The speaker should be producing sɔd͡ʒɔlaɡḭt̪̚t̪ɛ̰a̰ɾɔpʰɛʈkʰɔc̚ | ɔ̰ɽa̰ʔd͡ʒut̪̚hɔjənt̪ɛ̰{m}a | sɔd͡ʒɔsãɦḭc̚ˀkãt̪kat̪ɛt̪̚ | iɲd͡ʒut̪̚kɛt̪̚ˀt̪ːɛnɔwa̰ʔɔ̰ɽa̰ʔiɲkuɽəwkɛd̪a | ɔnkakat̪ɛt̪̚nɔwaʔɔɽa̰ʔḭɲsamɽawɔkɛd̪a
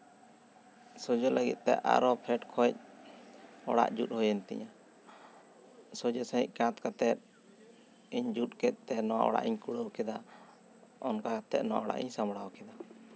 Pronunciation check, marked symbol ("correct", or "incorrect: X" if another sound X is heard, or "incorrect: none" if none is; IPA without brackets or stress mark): incorrect: ɲ